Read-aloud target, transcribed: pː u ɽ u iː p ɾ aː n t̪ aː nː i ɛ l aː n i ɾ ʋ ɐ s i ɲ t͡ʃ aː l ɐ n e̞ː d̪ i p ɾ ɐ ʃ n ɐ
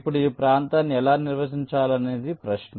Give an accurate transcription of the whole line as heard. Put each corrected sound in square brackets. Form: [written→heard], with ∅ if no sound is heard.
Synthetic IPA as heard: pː u ɽ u iː p ɾ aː n t̪ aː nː i ɛ l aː n i ɾ ʋ ɐ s i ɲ t͡ʃ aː l ɐ n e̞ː d̪ i p ɾ ɐ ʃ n ɐ